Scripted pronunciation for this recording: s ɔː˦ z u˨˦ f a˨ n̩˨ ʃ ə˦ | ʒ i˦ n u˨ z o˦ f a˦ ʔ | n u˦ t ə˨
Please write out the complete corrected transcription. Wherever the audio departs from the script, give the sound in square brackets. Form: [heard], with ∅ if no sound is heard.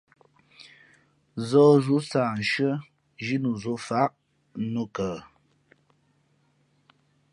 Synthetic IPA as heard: [z] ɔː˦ z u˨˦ [s] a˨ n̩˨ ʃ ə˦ | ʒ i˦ n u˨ z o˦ f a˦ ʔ | n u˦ [k] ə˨